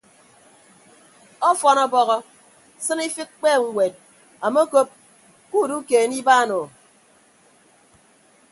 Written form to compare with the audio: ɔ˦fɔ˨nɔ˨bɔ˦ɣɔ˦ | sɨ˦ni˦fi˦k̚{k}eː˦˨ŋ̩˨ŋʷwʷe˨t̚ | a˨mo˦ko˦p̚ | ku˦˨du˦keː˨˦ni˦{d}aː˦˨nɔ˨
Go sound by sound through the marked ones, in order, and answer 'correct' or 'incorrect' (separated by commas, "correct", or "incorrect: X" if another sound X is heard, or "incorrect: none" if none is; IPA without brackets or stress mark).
incorrect: k͡p, incorrect: b